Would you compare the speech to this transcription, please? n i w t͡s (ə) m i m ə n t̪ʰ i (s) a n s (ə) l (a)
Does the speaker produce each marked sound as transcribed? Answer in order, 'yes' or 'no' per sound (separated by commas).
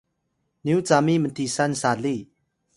no, yes, no, no